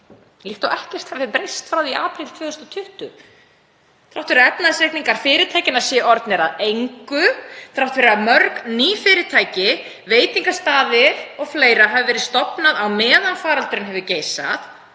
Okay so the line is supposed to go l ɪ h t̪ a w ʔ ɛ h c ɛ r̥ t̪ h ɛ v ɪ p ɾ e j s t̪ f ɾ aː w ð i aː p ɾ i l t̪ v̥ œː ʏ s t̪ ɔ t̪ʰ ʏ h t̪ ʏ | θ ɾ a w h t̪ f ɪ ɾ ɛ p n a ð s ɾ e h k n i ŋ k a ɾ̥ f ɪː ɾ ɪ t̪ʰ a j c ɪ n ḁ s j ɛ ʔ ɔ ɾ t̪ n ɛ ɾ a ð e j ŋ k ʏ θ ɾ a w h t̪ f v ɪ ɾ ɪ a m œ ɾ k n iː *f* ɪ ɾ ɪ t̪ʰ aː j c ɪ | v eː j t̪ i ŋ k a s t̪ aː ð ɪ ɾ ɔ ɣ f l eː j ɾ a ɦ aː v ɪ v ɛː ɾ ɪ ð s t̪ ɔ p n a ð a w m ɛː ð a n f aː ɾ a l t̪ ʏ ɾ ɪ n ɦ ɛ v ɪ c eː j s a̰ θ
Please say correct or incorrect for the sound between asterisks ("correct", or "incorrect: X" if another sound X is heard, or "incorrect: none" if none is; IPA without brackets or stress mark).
correct